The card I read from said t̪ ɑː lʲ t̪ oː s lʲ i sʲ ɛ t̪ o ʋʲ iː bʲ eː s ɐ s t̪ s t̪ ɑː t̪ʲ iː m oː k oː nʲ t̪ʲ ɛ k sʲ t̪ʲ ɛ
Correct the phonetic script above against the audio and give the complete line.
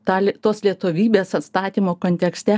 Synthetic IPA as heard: t̪ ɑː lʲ t̪ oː s lʲ i ɛ t̪ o ʋʲ iː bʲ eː s ɐ t̪ s t̪ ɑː t̪ʲ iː m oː k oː nʲ t̪ʲ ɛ k sʲ t̪ʲ ɛ

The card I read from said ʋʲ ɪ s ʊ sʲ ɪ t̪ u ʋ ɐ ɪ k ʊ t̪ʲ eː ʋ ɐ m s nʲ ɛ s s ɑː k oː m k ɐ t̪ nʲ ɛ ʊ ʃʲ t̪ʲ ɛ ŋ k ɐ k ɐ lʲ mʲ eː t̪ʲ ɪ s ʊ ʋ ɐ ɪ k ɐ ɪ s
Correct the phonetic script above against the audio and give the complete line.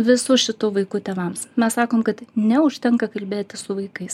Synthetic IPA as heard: ʋʲ ɪ s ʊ ʃʲ ɪ t̪ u ʋ ɐ ɪ k ʊ t̪ʲ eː ʋ ɐ m s mʲ ɛ s s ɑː k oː m k ɐ t̪ nʲ ɛ ʊ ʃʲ t̪ʲ ɛ ŋ k ɐ k ɐ lʲ bʲ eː t̪ʲ ɪ s ʊ ʋ ɐ ɪ k ɐ ɪ s

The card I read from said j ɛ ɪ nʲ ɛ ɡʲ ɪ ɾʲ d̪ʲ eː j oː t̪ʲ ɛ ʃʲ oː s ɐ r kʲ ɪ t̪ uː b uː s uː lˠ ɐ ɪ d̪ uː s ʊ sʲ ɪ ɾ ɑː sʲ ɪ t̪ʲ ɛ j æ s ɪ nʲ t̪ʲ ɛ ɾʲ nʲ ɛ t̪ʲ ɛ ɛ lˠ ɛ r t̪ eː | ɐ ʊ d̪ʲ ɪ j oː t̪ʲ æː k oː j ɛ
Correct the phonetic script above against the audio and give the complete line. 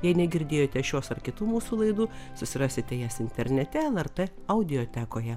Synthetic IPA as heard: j ɛ ɪ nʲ ɛ ɡʲ ɪ ɾʲ d̪ʲ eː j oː t̪ʲ ɛ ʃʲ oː s ɐ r kʲ ɪ t̪ uː m uː s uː lˠ ɐ ɪ d̪ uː s ʊ sʲ ɪ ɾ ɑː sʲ ɪ t̪ʲ ɛ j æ s ɪ nʲ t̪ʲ ɛ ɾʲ nʲ ɛ t̪ʲ ɛ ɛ lˠ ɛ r t̪ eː | ɐ ʊ d̪ʲ ɪ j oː t̪ʲ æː k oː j ɛ

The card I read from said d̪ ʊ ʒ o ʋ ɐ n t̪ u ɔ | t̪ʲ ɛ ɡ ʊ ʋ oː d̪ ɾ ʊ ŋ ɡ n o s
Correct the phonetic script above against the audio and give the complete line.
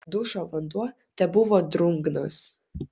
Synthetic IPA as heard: d̪ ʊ ʃ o ʋ ɐ n d̪ u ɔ | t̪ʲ ɛ b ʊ ʋ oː d̪ ɾ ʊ ŋ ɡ n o s

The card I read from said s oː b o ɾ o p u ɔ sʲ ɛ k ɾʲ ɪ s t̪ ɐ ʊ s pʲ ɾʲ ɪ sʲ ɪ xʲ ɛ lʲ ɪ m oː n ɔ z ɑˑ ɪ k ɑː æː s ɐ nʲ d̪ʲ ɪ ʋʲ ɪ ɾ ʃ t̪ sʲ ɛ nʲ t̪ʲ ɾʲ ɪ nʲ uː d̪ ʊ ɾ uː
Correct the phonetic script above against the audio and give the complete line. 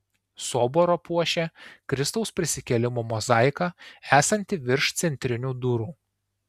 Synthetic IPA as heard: s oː b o ɾ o p u ɔ ʃʲ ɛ k ɾʲ ɪ s t̪ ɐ ʊ s pʲ ɾʲ ɪ sʲ ɪ kʲ ɛ lʲ ɪ m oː m ɔ z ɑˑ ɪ k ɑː æː s ɐ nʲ t̪ʲ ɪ ʋʲ ɪ ɾ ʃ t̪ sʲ ɛ nʲ t̪ʲ ɾʲ ɪ nʲ uː d̪ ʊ ɾ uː

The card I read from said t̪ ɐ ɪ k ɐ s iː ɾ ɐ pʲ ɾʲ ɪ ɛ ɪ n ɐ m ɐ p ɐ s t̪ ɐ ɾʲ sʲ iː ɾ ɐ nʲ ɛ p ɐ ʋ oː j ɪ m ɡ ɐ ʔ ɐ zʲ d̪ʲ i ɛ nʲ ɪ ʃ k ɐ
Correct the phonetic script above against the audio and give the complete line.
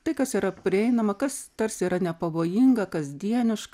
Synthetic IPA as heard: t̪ ɐ ɪ k ɐ s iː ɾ ɐ pʲ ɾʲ ɪ ɛ ɪ n ɐ m ɐ k ɐ s t̪ ɐ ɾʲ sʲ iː ɾ ɐ nʲ ɛ p ɐ ʋ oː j ɪ ŋ ɡ ɐ k ɐ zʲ d̪ʲ i ɛ nʲ ɪ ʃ k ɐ

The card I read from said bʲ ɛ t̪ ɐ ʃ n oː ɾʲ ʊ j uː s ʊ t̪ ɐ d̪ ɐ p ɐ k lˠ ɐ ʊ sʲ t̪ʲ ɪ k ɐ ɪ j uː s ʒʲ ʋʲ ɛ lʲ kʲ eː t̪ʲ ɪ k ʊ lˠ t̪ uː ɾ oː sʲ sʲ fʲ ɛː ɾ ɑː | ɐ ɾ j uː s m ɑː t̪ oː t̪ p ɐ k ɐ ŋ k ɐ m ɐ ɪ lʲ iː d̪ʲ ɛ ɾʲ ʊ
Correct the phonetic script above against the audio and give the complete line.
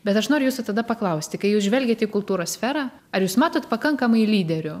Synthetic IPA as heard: bʲ ɛ t̪ ɐ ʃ n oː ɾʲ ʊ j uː s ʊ t̪ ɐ d̪ ɐ p ɐ k lˠ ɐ ʊ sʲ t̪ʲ ɪ k ɐ ɪ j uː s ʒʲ ʋʲ ɛ lʲ ɡʲ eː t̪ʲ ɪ k ʊ lˠ t̪ uː ɾ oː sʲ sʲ fʲ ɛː ɾ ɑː | ɐ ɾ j uː s m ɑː t̪ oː t̪ p ɐ k ɐ ŋ k ɐ m ɐ ɪ lʲ iː d̪ʲ ɛ ɾʲ ʊ

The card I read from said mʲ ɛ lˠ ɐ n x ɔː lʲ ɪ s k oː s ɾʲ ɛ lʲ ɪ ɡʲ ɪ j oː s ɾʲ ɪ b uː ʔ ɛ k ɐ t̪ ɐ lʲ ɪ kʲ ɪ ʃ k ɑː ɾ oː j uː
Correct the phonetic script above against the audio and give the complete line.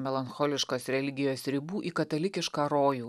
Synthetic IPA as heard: mʲ ɛ lˠ ɐ n x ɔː lʲ ɪ ʃ k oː s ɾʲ ɛ lʲ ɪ ɡʲ ɪ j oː s ɾʲ ɪ b uː ʔ i k ɐ t̪ ɐ lʲ ɪ kʲ ɪ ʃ k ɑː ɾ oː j uː

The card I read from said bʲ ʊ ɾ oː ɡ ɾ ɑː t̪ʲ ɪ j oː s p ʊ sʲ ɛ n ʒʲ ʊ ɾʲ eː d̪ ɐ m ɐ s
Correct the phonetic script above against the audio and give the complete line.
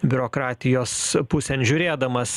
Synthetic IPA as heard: bʲ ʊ ɾ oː k ɾ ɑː t̪ʲ ɪ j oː s p ʊ sʲ ɛ n ʒʲ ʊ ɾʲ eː d̪ ɐ m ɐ s

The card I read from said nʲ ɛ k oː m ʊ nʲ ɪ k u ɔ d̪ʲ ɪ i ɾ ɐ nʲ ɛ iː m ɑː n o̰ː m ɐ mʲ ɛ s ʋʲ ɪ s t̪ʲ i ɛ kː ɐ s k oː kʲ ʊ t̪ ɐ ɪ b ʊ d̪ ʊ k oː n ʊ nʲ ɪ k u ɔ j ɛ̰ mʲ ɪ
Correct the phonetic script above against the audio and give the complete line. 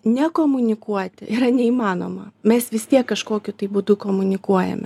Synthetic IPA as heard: nʲ ɛ k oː m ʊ nʲ ɪ k u ɔ t̪ʲ ɪ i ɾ ɐ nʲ ɛ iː m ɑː n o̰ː m ɐ mʲ ɛ s ʋʲ ɪ s t̪ʲ i ɛ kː ɐ ʃ k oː kʲ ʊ t̪ ɐ ɪ b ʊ d̪ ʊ k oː m ʊ nʲ ɪ k u ɔ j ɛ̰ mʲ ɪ

